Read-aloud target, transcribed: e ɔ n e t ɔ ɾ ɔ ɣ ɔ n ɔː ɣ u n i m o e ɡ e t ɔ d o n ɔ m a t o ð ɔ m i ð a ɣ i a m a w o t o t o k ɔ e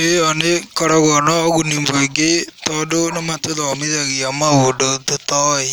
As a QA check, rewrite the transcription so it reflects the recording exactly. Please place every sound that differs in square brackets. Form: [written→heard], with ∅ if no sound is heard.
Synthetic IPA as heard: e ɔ n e [t→k] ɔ ɾ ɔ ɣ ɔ n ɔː ɣ u n i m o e ɡ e t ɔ d o n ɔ m a t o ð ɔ m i ð a ɣ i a m a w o [t→d] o t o [k→t] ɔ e